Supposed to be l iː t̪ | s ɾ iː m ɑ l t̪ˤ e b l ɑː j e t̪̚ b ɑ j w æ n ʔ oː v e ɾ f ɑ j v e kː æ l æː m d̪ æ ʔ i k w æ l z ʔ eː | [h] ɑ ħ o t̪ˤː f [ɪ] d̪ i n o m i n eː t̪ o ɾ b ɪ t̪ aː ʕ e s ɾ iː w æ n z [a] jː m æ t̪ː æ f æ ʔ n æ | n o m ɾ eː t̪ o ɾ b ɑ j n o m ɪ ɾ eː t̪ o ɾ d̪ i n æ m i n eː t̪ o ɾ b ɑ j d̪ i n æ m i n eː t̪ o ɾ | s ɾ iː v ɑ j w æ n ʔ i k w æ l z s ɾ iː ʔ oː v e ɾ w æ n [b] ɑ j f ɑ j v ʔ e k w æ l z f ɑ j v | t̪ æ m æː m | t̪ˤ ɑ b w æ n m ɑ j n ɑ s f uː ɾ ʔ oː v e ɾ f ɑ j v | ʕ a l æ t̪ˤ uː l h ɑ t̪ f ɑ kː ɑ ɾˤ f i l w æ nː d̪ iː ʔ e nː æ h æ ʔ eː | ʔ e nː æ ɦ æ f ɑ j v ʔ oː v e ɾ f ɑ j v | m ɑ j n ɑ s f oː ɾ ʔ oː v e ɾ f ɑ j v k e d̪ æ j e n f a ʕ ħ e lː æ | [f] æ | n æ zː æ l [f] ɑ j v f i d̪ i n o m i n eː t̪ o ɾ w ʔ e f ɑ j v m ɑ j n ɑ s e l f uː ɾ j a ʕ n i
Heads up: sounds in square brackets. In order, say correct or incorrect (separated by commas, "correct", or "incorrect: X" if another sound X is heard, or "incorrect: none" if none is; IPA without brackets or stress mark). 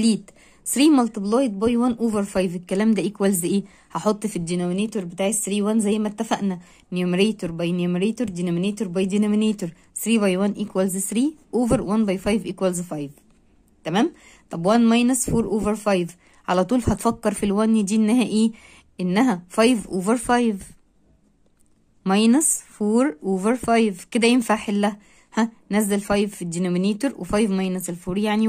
correct, incorrect: i, incorrect: æ, correct, incorrect: h, correct